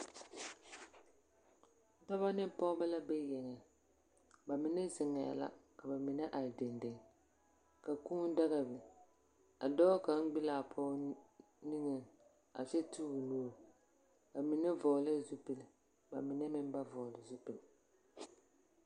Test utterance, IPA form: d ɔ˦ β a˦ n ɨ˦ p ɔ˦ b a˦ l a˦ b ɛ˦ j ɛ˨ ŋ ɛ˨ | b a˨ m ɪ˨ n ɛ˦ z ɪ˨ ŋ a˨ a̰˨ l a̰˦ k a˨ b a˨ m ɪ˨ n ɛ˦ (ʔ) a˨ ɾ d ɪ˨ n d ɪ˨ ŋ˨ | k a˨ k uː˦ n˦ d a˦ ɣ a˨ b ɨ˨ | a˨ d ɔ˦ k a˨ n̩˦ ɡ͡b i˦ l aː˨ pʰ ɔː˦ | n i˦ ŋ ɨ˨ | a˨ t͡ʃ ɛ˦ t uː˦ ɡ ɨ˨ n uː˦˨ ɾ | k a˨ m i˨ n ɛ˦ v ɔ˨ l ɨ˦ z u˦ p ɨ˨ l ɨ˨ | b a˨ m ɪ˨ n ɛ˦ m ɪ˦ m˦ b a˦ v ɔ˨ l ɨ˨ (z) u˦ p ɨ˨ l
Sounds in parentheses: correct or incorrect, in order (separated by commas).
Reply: correct, correct